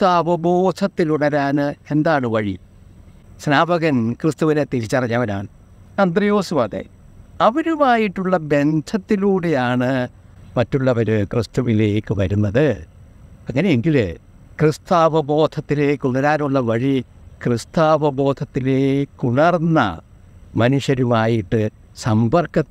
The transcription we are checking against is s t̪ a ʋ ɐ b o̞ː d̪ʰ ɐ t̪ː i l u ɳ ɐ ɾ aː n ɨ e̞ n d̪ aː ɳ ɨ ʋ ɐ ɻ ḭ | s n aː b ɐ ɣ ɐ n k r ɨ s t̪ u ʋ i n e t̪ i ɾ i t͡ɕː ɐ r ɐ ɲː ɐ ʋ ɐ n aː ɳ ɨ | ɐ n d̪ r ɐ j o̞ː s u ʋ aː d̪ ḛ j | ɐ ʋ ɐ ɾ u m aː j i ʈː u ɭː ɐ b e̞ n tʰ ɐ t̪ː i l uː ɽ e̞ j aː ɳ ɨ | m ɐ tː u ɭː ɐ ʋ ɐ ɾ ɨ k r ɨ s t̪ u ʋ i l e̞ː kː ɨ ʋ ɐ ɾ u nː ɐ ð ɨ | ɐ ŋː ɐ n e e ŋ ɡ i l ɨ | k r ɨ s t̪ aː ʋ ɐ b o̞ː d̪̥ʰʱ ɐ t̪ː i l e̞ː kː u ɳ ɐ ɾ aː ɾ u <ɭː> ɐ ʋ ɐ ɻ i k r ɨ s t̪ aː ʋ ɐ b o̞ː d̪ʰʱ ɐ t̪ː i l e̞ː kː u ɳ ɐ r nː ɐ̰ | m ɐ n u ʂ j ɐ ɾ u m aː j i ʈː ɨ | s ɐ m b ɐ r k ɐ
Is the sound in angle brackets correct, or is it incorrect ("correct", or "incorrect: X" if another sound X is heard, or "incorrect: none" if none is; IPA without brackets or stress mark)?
correct